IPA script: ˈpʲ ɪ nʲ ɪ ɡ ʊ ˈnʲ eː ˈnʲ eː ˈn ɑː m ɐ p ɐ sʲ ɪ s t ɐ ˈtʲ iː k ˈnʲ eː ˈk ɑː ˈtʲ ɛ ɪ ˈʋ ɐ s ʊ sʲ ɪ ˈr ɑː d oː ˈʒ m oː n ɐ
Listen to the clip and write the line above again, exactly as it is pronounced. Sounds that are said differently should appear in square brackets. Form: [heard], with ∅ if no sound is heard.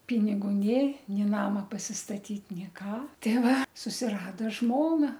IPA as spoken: ˈpʲ ɪ nʲ ɪ ɡ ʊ ˈnʲ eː ˈnʲ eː ˈn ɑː m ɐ p ɐ sʲ ɪ s t ɐ ˈtʲ iː [t] ˈnʲ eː ˈk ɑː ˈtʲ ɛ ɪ ˈʋ ɐ s ʊ sʲ ɪ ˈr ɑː d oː ˈʒ m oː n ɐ